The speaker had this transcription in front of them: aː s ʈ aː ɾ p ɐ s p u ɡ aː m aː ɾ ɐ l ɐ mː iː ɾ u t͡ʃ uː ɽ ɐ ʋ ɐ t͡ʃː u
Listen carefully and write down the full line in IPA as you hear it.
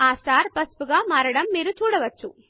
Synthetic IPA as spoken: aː s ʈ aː ɾ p ɐ s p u ɡ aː m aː ɾ ɐ ɽ ɐ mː iː ɾ u t͡ʃ uː ɽ ɐ ʋ ɐ t͡ʃː u